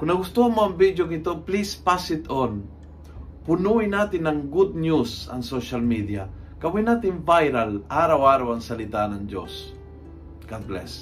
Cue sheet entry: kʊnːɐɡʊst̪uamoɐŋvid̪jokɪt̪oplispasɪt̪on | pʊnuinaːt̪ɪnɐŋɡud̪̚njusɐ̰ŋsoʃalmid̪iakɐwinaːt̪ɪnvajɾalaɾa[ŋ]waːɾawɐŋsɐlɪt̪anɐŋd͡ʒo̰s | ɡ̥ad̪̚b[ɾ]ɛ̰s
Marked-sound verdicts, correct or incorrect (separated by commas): incorrect, incorrect